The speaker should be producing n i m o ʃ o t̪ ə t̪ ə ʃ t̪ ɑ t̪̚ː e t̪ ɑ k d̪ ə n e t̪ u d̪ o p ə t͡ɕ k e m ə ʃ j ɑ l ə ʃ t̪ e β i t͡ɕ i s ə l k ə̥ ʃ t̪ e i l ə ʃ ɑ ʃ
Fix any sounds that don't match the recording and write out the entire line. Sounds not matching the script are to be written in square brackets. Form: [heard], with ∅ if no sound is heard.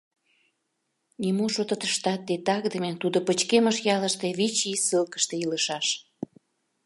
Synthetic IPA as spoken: n i m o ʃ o t̪ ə t̪ ə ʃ t̪ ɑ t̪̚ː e t̪ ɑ k d̪ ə [m] e t̪ u d̪ o p ə t͡ɕ k e m ə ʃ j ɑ l ə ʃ t̪ e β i t͡ɕ i s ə l k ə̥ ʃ t̪ e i l ə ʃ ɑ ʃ